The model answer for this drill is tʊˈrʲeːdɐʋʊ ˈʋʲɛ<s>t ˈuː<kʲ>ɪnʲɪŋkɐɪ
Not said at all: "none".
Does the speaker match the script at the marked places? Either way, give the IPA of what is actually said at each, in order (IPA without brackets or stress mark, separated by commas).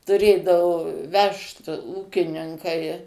ʃ, kʲ